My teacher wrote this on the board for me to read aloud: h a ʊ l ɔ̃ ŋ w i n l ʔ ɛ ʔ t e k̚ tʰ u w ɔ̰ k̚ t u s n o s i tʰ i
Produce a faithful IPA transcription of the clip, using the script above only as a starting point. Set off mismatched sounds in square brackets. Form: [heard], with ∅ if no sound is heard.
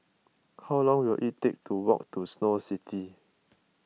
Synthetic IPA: h a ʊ l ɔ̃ ŋ w i [∅] l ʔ [i] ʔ t e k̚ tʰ u w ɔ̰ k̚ t u s n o s i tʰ i

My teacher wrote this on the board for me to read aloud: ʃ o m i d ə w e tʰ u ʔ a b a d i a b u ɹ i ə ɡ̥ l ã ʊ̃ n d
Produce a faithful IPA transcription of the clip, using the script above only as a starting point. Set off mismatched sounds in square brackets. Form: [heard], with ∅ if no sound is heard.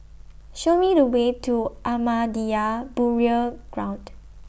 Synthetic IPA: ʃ o m i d ə w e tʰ u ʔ a [m] a d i a b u ɹ i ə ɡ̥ [ɹ] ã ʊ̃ n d

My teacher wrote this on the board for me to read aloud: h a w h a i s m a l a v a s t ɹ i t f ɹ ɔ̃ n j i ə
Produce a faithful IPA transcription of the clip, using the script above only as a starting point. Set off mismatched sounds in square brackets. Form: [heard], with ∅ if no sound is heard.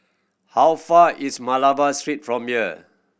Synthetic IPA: h a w [f] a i s m a l a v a s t ɹ i t f ɹ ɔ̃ [m] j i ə

